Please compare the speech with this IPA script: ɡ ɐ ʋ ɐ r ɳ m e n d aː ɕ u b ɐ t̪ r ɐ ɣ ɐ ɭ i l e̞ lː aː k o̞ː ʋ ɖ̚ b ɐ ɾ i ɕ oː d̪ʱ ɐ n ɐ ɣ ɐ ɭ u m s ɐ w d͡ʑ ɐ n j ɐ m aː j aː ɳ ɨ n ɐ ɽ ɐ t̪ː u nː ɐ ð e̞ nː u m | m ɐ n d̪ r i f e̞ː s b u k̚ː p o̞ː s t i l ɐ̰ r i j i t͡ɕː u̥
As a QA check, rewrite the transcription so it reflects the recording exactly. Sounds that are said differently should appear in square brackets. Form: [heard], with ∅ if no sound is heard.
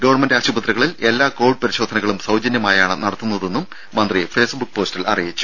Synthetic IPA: ɡ ɐ ʋ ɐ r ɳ m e n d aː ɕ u b ɐ t̪ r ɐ ɣ ɐ ɭ i l e̞ lː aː k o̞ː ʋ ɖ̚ [p] ɐ ɾ i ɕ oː d̪ʱ ɐ n ɐ ɣ ɐ ɭ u m s ɐ w d͡ʑ ɐ n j ɐ m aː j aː ɳ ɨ n ɐ ɽ ɐ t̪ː u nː ɐ ð e̞ nː u m | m ɐ n d̪ r i f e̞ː s b u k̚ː p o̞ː s t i l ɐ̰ r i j i t͡ɕː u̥